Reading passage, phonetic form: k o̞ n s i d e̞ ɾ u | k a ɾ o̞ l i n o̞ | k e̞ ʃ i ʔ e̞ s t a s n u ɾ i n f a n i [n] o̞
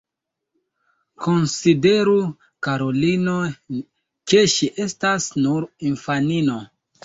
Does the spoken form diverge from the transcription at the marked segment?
no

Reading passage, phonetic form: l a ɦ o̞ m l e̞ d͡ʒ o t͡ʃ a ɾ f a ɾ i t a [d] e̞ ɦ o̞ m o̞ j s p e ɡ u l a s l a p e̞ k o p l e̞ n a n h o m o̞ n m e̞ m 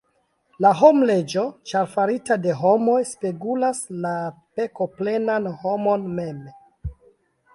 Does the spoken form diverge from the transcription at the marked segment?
no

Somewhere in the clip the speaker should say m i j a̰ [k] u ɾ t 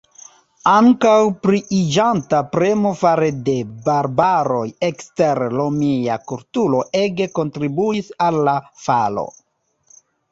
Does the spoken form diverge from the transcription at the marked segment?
no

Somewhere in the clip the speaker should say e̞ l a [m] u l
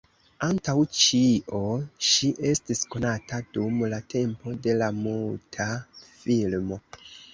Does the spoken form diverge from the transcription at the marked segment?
no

